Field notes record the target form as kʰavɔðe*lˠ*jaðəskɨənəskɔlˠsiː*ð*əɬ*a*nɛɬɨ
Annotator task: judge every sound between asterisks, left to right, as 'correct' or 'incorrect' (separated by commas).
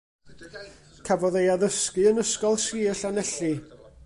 incorrect, incorrect, correct